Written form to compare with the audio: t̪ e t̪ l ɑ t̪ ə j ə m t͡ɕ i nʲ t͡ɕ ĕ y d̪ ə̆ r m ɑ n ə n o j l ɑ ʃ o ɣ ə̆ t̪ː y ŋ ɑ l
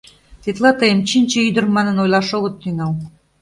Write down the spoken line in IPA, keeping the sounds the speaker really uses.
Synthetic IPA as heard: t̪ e t̪ l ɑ t̪ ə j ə m t͡ɕ i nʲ t͡ɕ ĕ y d̪ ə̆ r m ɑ n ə n o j l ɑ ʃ o ɣ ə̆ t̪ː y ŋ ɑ l